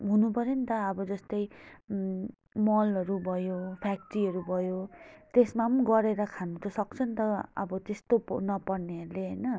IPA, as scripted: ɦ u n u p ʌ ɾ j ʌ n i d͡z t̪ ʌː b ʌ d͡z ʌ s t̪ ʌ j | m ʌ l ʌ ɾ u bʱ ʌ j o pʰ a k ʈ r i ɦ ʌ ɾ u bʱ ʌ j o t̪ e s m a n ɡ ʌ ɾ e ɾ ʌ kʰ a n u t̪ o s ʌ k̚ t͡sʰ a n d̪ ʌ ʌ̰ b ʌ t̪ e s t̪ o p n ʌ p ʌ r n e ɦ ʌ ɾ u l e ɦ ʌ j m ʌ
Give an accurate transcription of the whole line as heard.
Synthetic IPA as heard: ɦ u n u p ʌ ɾ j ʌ n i t̪ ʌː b ʌ d͡z ʌ s t̪ ʌ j | m ʌ l ʌ ɾ u bʱ ʌ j o pʰ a k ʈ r i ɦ ʌ ɾ u bʱ ʌ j o t̪ e s m a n ɡ ʌ ɾ e ɾ ʌ kʰ a n u t̪ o s ʌ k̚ t͡sʰ ʌ n t̪ ʌ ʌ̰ b ʌ t̪ e s t̪ o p n ʌ p ʌ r n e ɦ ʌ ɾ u l e ɦ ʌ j n ʌ

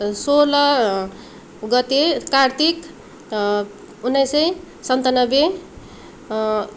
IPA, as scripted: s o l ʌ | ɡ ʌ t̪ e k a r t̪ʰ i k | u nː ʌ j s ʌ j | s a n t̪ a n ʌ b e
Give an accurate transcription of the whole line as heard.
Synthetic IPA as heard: s o l ʌ | ɡ ʌ t̪ e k a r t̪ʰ i k | u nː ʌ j s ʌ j | s ʌ n t̪ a n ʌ b e

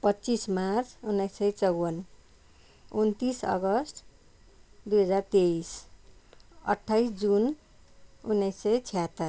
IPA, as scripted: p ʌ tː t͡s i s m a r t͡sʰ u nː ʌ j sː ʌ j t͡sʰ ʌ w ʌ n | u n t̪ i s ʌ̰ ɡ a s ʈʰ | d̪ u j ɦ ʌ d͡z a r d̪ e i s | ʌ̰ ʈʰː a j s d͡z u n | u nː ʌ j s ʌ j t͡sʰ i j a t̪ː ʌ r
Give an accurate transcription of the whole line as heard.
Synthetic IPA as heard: p ʌ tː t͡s i s m a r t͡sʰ u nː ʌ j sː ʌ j t͡s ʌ w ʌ n | u n t̪ i s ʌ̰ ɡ ʌ s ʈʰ | d̪ u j ɦ ʌ d͡z a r t̪ e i s | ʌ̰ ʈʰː a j s d͡z u n | u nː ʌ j s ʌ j t͡sʰ i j a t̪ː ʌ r

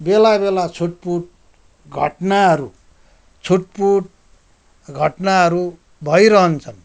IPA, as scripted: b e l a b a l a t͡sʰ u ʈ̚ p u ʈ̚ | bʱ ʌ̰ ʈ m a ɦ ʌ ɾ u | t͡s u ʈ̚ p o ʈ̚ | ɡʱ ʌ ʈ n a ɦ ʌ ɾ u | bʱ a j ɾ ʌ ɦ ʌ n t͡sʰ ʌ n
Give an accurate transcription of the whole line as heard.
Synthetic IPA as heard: b e l a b e l a t͡sʰ u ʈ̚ p u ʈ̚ | ɡʱ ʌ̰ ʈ n a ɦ ʌ ɾ u | t͡sʰ u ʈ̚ p u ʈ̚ | ɡʱ ʌ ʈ n a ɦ ʌ ɾ u | bʱ ʌ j ɾ ʌ ɦ ʌ n t͡sʰ ʌ n

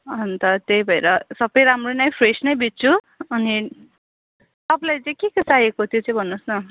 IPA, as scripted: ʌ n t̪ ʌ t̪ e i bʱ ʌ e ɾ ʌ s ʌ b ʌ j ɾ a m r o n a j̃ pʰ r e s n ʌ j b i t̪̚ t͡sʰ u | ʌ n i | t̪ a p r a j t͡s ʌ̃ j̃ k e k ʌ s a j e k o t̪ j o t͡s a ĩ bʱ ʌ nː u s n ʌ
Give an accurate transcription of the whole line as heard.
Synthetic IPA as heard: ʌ n t̪ ʌ t̪ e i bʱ ʌ e ɾ ʌ s ʌ b ʌ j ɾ a m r o n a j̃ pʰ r e s n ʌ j b i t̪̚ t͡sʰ u | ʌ n i | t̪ ʌ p l a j t͡s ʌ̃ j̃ k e k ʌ s a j e k o t̪ʰ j o t͡s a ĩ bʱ ʌ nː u s n ʌ

